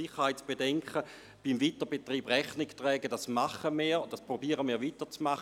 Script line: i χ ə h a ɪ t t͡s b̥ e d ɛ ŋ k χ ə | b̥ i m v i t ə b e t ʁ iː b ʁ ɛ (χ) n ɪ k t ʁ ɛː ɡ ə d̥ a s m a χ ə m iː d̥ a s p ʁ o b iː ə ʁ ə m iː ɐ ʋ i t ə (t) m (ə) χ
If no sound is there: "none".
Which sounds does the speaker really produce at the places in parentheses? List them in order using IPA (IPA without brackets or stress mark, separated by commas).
χ, t͡s, a